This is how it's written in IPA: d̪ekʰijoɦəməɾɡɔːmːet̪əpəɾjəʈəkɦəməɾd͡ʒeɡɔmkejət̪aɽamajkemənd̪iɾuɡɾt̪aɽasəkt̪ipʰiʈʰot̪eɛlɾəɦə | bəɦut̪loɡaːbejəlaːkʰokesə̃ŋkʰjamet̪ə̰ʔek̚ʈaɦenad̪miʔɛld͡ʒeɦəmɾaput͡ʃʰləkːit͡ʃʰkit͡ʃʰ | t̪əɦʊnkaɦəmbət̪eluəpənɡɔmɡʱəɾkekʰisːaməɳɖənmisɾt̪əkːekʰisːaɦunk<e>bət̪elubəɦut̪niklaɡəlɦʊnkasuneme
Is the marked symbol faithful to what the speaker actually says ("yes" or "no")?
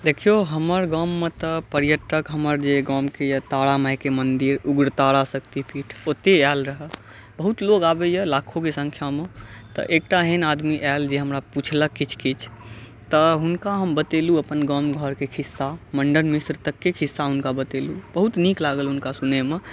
no